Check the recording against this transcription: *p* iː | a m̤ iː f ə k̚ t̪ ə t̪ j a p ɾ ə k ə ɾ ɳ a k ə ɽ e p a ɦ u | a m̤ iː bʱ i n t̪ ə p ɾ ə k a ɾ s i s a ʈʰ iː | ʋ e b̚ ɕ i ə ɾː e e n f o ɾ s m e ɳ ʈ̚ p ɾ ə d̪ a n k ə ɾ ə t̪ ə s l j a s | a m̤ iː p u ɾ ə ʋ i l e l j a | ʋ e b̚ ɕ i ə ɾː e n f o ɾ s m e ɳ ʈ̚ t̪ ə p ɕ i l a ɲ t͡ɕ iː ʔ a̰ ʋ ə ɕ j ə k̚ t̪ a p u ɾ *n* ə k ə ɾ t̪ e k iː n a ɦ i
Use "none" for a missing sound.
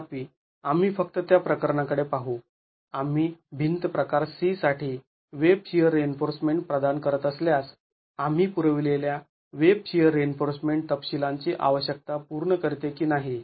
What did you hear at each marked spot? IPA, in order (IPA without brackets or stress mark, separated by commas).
p, ɳ